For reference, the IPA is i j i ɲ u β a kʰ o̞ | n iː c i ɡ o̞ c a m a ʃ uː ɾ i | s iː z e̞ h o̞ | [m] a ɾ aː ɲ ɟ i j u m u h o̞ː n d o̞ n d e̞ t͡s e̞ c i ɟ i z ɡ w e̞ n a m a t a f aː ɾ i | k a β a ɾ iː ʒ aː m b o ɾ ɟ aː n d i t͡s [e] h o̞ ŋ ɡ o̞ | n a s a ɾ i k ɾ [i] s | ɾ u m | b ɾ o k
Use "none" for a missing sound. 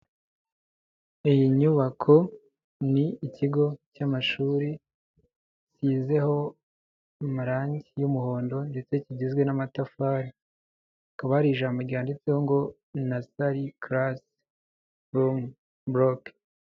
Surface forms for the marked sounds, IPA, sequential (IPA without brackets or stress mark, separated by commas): m, e, a